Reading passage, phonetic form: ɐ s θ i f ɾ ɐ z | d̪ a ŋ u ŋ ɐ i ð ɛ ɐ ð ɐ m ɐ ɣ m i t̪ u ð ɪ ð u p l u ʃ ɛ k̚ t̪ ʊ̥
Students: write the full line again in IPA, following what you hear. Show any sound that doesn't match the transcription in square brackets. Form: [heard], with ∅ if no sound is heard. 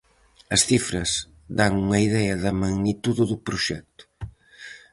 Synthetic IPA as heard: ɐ s θ i f ɾ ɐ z | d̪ a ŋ u ŋ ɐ i ð ɛ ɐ ð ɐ m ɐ ɣ [n] i t̪ u ð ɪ ð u p [ɾ] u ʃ ɛ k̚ t̪ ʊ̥